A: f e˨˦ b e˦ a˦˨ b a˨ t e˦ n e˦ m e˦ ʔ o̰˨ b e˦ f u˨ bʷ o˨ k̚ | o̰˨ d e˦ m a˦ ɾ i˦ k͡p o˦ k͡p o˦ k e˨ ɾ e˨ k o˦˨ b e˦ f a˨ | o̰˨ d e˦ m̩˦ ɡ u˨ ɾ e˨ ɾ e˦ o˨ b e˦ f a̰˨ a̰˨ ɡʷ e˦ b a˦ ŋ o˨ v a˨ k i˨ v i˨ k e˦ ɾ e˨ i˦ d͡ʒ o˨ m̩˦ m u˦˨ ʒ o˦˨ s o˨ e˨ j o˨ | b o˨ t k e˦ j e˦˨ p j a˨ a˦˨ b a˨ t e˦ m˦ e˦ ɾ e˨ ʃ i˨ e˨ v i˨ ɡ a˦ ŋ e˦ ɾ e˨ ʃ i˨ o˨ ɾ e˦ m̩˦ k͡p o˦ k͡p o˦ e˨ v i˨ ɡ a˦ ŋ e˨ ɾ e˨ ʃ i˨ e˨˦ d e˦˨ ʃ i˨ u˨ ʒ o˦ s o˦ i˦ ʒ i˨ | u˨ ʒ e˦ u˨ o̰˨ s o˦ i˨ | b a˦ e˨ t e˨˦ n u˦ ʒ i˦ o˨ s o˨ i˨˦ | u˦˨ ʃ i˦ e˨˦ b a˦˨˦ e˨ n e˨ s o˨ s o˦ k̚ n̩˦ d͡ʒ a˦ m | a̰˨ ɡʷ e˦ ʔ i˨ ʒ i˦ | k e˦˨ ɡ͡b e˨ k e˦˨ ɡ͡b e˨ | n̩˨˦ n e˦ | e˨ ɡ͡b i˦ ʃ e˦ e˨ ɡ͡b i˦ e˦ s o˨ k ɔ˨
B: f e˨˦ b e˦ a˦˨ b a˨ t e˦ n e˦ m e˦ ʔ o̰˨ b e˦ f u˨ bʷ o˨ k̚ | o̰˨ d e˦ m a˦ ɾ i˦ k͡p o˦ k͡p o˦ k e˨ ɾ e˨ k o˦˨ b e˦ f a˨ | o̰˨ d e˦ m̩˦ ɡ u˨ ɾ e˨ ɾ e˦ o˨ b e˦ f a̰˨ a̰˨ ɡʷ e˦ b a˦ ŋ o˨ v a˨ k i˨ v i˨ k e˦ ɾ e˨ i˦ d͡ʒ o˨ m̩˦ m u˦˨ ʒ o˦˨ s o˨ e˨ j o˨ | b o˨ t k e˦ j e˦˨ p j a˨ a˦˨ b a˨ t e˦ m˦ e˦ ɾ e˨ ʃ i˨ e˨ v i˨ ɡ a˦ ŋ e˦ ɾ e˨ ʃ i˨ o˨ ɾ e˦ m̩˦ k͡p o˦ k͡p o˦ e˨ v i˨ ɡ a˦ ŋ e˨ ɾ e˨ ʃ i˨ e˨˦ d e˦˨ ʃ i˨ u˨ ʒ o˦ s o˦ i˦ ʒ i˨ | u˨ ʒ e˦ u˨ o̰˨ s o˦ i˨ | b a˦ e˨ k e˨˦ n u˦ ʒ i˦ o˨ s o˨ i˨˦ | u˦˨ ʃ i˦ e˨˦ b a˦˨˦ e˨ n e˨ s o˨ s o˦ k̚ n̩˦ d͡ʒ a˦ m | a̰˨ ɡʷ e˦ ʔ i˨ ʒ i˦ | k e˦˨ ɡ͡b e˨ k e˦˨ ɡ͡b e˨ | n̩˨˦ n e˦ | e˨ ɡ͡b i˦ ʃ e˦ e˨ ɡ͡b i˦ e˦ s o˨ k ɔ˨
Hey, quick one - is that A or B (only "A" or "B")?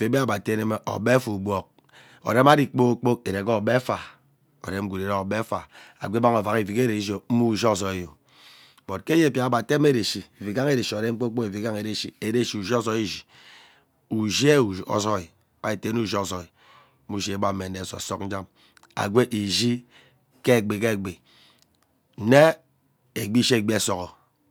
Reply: A